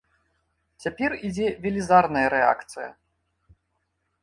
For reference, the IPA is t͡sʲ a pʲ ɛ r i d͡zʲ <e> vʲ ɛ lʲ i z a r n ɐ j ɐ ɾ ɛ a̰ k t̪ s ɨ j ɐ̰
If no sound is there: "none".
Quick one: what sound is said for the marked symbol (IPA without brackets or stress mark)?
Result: ɛ